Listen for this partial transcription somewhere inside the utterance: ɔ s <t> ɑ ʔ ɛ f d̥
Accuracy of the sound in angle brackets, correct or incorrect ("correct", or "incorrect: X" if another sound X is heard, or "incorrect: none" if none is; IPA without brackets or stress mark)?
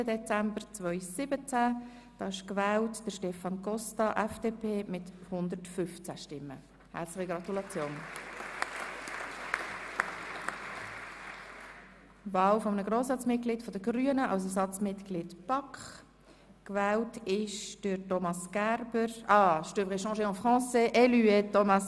correct